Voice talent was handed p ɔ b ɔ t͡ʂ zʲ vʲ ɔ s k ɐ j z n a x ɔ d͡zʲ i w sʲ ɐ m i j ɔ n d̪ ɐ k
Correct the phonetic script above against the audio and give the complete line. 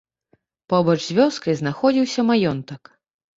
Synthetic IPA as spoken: p ɔ b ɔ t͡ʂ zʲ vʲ ɔ s k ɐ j z n a x ɔ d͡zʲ i w sʲ ɐ m a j ɔ n t̪ ɐ k